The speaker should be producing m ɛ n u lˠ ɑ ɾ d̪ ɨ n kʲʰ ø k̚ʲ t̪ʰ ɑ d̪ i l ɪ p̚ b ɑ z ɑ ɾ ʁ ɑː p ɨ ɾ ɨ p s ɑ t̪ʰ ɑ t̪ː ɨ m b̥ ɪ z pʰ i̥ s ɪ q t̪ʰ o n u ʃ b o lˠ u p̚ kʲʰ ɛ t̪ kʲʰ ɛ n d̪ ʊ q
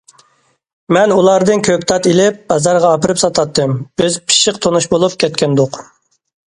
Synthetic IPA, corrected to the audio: m ɛ n u lˠ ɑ ɾ d̪ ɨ n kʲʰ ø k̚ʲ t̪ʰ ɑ t̪ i l ɪ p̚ b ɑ z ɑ ɾ ʁ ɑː p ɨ ɾ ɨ p s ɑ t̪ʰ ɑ t̪ː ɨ m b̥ ɪ z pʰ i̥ ʃ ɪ q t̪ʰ o n u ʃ b o lˠ u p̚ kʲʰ ɛ t̪ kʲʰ ɛ n d̪ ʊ q